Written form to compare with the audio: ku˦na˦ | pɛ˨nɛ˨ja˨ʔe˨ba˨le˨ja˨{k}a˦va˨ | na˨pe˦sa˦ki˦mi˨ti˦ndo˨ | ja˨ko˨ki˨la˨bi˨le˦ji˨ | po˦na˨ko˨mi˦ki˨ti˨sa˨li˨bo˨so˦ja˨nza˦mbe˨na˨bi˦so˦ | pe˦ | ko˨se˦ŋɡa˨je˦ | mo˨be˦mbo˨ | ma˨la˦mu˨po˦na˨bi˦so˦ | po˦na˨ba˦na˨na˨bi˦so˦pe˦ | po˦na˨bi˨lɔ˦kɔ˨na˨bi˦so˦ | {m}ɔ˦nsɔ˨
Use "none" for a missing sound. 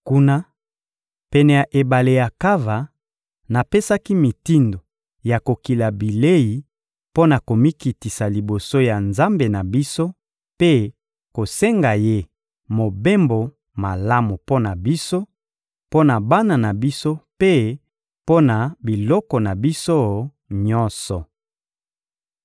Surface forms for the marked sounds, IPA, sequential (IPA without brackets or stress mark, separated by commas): k, ɲ